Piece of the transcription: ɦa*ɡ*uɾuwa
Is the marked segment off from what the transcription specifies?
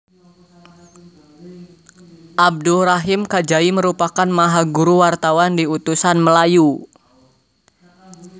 no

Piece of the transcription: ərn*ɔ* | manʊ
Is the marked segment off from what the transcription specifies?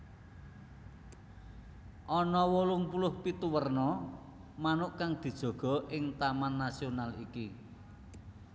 no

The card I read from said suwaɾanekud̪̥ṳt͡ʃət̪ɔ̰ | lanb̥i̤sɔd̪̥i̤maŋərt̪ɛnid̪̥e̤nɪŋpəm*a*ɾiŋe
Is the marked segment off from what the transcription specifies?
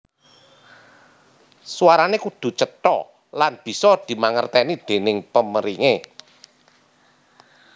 yes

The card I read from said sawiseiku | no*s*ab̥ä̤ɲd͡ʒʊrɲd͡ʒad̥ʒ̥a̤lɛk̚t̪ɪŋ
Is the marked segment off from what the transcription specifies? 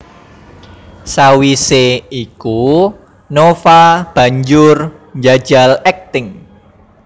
yes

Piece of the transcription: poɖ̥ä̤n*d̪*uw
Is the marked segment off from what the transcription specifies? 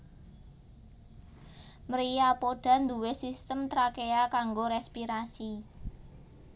no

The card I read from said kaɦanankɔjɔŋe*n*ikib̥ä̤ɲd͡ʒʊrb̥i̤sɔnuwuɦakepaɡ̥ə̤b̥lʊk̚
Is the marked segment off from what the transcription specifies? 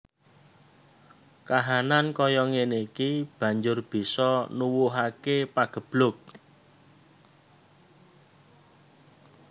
no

